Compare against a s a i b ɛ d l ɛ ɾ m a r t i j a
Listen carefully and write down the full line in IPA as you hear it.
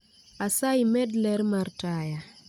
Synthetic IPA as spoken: a s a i m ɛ d l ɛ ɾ m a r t a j a